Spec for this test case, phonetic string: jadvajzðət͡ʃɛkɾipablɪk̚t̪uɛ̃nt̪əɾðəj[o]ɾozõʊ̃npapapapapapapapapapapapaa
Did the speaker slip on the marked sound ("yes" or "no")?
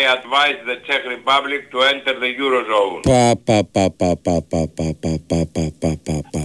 yes